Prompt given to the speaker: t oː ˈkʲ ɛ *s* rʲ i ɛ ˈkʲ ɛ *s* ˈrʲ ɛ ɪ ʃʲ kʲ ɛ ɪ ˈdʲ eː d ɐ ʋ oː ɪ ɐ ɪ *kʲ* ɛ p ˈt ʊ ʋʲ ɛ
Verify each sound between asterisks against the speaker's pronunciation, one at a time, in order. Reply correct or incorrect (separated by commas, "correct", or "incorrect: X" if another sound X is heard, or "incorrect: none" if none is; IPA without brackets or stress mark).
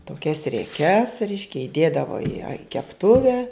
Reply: correct, correct, correct